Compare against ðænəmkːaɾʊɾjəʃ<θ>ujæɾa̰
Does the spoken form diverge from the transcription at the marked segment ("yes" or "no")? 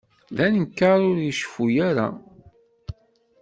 yes